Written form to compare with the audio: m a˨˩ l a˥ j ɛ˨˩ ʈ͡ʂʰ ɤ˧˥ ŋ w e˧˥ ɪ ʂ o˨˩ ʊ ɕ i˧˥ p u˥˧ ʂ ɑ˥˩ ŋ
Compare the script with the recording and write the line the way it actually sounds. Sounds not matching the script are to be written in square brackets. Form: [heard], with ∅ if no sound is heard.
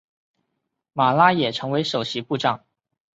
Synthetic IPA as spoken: m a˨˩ l a˥ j ɛ˨˩ ʈ͡ʂʰ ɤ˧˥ ŋ w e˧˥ ɪ ʂ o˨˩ ʊ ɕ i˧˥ p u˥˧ [ʈ͡ʂ] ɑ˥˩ ŋ